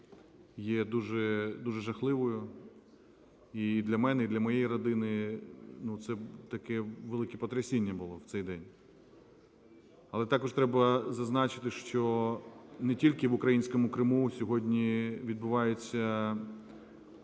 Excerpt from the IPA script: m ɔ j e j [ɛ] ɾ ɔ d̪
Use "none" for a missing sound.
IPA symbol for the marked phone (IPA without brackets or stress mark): i